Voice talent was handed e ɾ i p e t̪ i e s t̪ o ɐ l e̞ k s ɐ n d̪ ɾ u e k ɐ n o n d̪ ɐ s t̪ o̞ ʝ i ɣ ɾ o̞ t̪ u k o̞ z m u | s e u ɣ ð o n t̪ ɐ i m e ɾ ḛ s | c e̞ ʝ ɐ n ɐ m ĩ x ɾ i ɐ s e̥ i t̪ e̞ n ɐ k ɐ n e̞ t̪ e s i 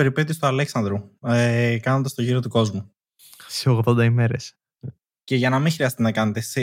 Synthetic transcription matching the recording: e ɾ i p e t̪ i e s t̪ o ɐ l e̞ k s ɐ n d̪ ɾ u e k ɐ n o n d̪ ɐ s t̪ o̞ ʝ i ɾ o̞ t̪ u k o̞ z m u | s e o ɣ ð o n d̪ ɐ i m e ɾ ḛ s | c e̞ ʝ ɐ n ɐ m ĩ x ɾ i ɐ s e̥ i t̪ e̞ n ɐ k ɐ n e̞ t̪ e s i